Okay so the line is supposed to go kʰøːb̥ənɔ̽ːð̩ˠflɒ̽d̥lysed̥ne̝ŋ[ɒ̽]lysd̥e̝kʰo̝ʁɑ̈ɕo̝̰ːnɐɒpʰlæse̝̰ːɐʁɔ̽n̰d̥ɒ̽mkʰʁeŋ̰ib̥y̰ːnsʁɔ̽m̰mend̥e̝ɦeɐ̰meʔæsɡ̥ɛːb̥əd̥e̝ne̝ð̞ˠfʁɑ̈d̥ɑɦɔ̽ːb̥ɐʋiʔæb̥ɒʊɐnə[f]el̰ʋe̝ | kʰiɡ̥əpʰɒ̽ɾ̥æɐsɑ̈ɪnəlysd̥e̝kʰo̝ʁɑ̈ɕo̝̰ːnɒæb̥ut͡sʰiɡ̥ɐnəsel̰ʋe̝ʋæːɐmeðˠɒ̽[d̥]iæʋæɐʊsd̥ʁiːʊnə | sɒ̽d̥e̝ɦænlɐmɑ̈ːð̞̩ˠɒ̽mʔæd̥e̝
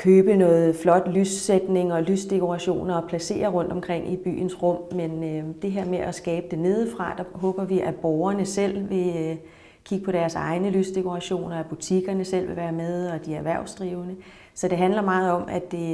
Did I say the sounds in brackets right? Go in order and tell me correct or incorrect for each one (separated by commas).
correct, incorrect, correct